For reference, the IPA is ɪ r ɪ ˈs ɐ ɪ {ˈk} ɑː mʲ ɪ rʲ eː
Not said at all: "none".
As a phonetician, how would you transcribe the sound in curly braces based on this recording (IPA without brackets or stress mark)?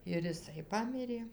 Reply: p